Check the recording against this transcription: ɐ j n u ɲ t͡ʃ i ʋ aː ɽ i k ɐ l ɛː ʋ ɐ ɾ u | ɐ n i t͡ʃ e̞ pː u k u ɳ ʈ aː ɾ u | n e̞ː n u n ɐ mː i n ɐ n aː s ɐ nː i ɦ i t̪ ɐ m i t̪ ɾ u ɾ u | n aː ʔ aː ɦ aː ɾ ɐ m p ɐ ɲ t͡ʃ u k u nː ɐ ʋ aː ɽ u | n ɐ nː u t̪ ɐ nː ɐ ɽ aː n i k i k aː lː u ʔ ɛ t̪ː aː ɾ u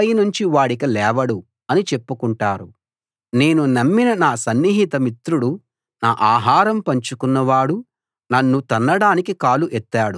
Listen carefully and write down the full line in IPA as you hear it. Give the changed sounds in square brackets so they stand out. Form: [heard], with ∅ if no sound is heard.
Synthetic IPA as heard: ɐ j n u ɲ t͡ʃ i ʋ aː ɽ i k ɐ l ɛː ʋ ɐ [ɽ] u | ɐ n i t͡ʃ e̞ pː u k u ɳ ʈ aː ɾ u | n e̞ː n u n ɐ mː i n ɐ n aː s ɐ nː i ɦ i t̪ ɐ m i t̪ ɾ u [ɽ] u | n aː ʔ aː ɦ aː ɾ ɐ m p ɐ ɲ t͡ʃ u k u nː ɐ ʋ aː ɽ u | n ɐ nː u t̪ ɐ nː ɐ ɽ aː n i k i k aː [l] u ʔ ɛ t̪ː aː [ɽ] u